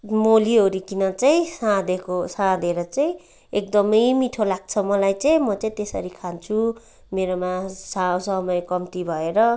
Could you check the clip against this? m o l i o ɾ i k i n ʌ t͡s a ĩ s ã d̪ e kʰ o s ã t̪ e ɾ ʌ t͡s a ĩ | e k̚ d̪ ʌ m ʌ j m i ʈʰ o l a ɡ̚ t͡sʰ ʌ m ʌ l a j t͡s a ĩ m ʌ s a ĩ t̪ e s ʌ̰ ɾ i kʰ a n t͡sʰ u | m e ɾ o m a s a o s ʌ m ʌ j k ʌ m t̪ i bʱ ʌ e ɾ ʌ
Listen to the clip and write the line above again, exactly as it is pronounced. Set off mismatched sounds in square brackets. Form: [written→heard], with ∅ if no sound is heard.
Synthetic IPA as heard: m o l i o ɾ i k i n ʌ t͡s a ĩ s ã d̪ e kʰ o s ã [t̪→d̪] e ɾ ʌ t͡s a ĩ | e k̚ d̪ ʌ m ʌ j m i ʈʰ o l a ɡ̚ t͡sʰ ʌ m ʌ l a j t͡s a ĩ m ʌ [s→t͡s] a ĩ t̪ e s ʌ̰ ɾ i kʰ a n t͡sʰ u | m e ɾ o m a s a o s ʌ m ʌ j k ʌ m t̪ i bʱ ʌ e ɾ ʌ